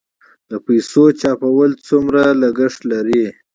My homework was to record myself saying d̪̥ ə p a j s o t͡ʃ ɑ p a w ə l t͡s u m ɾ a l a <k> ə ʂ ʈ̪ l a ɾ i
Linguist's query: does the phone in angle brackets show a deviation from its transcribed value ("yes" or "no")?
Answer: yes